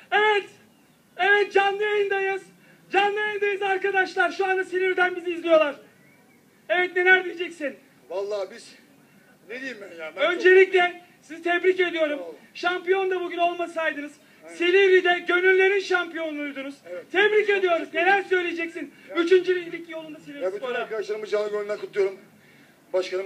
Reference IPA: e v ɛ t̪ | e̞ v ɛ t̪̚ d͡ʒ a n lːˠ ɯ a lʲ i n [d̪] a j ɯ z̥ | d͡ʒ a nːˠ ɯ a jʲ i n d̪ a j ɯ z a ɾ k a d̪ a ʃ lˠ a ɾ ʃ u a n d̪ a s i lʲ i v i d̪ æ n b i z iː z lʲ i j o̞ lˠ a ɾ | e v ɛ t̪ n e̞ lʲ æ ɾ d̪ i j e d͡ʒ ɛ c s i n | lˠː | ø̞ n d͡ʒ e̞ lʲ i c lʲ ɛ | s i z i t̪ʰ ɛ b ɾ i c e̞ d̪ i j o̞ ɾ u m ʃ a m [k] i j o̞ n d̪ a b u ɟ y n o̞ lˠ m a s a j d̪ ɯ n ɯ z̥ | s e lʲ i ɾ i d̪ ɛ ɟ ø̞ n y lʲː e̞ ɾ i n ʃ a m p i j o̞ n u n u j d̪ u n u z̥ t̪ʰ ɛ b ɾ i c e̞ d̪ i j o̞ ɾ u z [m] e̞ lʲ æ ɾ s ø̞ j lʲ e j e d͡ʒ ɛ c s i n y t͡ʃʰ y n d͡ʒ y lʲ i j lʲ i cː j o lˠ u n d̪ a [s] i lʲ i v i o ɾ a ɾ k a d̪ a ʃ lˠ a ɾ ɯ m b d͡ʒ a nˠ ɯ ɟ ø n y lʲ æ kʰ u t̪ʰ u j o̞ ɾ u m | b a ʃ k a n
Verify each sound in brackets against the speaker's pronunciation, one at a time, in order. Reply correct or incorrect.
correct, incorrect, incorrect, correct

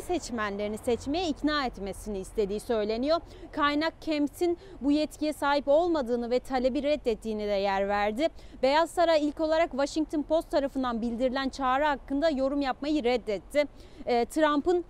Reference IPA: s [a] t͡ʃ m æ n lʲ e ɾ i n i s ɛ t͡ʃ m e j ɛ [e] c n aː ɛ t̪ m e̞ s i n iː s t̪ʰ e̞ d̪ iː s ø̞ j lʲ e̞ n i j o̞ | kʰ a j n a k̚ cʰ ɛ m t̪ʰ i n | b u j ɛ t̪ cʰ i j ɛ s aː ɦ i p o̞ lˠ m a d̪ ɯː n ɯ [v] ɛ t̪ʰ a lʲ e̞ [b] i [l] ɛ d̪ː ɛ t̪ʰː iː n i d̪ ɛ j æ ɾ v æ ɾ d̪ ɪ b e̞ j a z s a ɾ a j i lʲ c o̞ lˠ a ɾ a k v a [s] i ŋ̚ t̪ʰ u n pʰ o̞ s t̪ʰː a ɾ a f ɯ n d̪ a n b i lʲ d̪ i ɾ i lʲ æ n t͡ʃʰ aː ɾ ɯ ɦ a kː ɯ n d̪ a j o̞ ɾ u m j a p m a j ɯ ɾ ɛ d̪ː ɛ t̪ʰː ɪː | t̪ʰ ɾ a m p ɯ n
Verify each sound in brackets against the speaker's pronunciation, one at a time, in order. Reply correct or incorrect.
incorrect, incorrect, correct, correct, incorrect, incorrect

